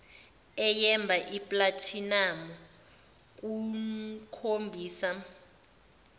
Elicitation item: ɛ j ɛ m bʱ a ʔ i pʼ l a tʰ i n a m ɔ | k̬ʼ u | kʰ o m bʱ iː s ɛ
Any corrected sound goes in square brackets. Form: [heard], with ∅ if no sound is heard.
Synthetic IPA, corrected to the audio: ɛ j ɛ m bʱ a ʔ i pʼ l a tʰ i n a m ɔ | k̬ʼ u | kʰ o m bʱ iː s [a]